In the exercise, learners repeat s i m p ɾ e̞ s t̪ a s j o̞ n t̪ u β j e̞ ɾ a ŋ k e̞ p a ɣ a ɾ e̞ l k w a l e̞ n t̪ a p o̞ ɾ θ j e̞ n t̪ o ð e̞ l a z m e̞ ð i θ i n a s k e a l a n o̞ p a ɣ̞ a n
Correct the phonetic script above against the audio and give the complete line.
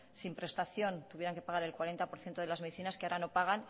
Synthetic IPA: s i m p ɾ e̞ s t̪ a θ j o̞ n t̪ u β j e̞ ɾ a ŋ k e̞ p a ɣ a ɾ e̞ l k w a ɾ e̞ n t̪ a p o̞ ɾ θ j e̞ n t̪ o ð e̞ l a z m e̞ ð i θ i n a s k e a ɾ a n o̞ p a ɣ̞ a n